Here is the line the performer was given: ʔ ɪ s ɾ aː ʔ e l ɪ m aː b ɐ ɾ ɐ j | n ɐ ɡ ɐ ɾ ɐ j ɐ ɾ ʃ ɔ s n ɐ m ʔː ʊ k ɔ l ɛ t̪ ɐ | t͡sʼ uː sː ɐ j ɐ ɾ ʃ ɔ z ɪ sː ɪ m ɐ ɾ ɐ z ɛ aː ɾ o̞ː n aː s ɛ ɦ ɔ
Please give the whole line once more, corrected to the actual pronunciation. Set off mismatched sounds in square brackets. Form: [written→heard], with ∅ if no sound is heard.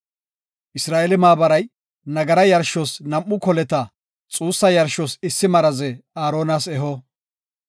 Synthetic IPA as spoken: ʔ ɪ s ɾ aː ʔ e l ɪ m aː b ɐ ɾ ɐ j | n ɐ ɡ ɐ ɾ ɐ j ɐ ɾ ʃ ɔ s n ɐ m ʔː ʊ k ɔ l ɛ t̪ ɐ | t͡sʼ uː sː ɐ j ɐ ɾ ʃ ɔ [z→s] ɪ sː ɪ m ɐ ɾ ɐ z ɛ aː ɾ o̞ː n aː s ɛ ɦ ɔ